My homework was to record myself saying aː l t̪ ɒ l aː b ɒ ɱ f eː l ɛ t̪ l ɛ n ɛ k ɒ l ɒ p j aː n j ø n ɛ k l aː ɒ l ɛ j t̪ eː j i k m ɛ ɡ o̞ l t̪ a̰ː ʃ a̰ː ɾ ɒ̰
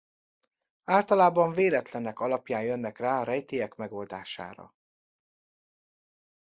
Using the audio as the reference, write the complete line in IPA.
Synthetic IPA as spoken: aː l t̪ ɒ l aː b ɒ ɱ v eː l ɛ t̪ l ɛ n ɛ k ɒ l ɒ p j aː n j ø nː ɛ k r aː ɒ ɾ ɛ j t̪ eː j ɛ k m ɛ ɡ o̞ l d̪ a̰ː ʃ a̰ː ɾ ɒ̰